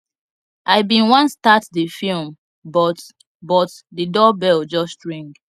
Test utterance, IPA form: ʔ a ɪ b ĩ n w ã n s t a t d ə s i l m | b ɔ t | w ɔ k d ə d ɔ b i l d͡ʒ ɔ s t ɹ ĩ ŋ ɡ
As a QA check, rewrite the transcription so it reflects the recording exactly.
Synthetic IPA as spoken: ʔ a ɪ b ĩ n w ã n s t a t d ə f i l m | b ɔ t | b ɔ t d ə d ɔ b ɛ l d͡ʒ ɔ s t ɹ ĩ ŋ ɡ

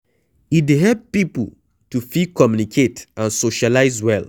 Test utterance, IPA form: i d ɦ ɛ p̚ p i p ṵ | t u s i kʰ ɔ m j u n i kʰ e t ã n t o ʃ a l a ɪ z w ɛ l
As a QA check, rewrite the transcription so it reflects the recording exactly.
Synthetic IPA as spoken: i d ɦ ɛ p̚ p i p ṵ | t u f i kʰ ɔ m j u n i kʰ e t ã n s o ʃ a l a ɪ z w ɛ l

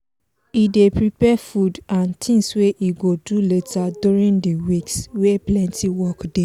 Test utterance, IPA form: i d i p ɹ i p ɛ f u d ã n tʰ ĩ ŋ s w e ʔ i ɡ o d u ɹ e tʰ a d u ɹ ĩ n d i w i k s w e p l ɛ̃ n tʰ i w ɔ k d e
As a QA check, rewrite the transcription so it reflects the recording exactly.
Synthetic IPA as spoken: i d e p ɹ i p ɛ f u d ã n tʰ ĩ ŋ s w e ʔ i ɡ o d u l e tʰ a d u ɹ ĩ n d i w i k s w e p l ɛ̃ n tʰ i w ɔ k d e

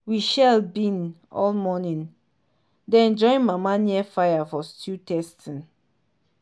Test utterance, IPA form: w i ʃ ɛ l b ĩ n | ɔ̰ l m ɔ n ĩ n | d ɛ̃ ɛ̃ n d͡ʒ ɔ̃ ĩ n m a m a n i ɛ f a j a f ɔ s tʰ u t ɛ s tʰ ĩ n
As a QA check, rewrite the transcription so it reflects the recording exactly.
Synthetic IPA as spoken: w i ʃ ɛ l b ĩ n | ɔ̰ l m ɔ n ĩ n | d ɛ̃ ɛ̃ n d͡ʒ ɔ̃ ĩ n m a m a n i ɛ f a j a f ɔ s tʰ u t ɛ s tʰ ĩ n

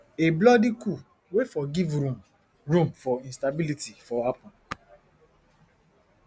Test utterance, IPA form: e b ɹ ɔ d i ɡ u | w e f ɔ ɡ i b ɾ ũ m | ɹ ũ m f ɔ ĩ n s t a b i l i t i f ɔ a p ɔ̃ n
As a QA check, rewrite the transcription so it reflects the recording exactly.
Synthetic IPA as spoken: e b l ɔ d i k u | w e f ɔ ɡ i v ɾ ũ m | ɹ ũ m f ɔ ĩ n s t a b i l i t i f ɔ a p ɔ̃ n

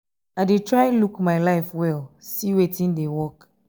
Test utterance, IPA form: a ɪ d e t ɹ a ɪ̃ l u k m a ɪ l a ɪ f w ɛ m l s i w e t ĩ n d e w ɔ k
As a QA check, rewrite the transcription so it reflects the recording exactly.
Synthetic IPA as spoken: a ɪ d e t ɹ a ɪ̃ l u k m a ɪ l a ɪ f w ɛ l s i w e t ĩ n d e w ɔ k

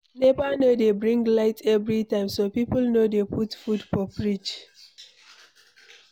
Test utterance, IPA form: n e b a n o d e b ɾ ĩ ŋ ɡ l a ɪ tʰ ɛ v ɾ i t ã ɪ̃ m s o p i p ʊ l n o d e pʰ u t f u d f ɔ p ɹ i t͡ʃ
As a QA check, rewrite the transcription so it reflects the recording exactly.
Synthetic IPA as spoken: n e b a n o d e b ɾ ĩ ŋ ɡ l a ɪ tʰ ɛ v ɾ i t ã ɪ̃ m s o p i p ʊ l n o d e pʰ u t f u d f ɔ p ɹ i t͡ʃ

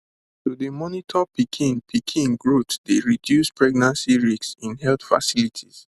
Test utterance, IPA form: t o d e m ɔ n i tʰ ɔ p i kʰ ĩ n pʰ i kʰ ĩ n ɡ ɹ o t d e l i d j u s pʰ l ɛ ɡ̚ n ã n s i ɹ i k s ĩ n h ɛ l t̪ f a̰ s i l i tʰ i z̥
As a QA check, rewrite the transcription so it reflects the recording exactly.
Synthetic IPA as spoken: t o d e m ɔ n i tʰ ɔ p i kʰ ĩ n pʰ i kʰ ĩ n ɡ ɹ o t d e ɹ i d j u s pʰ ɹ ɛ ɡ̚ n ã n s i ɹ i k s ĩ n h ɛ l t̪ f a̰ s i l i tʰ i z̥

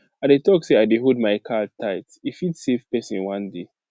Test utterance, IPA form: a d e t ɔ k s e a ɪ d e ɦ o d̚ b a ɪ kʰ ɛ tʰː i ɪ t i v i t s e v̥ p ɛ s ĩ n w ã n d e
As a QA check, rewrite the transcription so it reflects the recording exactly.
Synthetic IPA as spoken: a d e t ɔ k s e a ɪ d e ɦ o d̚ m a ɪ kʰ a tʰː a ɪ t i f i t s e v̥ p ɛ s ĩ n w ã n d e

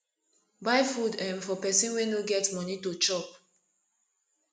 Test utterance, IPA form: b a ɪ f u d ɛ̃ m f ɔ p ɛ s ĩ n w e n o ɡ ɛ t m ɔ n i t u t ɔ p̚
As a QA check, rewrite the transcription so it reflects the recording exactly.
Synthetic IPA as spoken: b a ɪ f u d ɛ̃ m f ɔ p ɛ s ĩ n w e n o ɡ ɛ t m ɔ n i t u t͡ʃ ɔ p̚

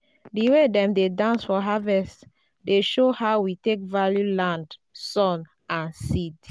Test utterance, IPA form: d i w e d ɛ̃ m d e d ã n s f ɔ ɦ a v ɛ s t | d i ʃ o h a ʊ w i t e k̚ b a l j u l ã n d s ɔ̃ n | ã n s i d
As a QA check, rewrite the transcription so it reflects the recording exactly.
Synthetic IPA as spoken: d i w e d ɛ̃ m d e d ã n s f ɔ ɦ a v ɛ s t | d e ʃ o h a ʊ w i t e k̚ v a l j u l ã n d s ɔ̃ n | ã n s i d

